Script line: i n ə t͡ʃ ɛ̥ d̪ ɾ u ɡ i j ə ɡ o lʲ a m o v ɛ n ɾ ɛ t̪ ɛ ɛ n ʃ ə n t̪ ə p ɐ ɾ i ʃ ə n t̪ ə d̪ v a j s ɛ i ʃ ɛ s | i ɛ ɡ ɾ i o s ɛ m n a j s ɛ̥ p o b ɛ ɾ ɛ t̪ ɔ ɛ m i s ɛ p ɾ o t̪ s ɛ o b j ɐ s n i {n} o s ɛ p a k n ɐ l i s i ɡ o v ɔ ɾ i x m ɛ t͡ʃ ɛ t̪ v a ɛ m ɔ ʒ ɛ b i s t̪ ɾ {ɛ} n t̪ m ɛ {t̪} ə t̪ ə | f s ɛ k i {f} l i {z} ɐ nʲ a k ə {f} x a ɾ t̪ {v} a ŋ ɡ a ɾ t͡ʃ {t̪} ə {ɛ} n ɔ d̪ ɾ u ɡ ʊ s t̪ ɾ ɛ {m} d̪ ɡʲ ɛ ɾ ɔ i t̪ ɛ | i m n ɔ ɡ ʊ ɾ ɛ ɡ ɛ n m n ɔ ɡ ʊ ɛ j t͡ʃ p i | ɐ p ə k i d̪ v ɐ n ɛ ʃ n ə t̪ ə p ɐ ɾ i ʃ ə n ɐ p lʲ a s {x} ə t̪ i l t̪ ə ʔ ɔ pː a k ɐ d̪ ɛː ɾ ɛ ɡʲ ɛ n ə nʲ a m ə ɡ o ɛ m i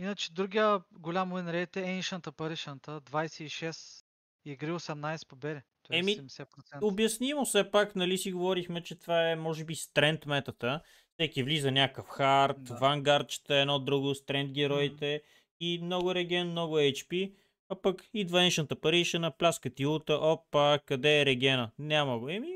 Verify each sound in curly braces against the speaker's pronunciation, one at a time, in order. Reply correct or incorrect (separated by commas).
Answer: incorrect, correct, correct, incorrect, correct, correct, correct, correct, correct, incorrect, incorrect